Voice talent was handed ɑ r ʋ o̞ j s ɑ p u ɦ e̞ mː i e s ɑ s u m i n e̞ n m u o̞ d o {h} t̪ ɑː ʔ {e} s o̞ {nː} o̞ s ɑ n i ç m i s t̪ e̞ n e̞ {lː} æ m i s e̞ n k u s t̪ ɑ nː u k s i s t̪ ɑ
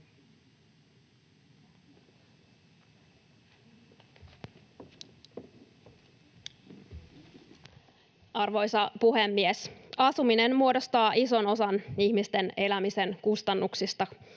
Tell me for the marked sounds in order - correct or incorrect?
incorrect: s, incorrect: i, incorrect: n, incorrect: l

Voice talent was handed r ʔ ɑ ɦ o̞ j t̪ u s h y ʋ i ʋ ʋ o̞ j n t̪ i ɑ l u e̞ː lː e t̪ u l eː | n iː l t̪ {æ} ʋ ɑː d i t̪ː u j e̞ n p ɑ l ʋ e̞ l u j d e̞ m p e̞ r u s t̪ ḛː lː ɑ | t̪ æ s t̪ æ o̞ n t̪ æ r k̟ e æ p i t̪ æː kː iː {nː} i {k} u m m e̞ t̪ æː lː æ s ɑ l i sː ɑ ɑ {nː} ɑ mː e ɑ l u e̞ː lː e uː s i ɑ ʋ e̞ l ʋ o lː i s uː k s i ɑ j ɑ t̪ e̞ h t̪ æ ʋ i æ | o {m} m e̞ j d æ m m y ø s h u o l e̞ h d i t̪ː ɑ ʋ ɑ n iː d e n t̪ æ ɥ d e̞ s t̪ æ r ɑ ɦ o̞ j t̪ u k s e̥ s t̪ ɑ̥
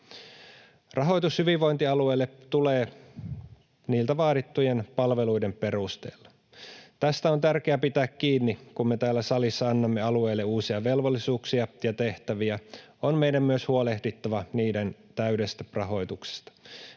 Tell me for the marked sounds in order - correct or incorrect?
correct, correct, correct, correct, incorrect: n

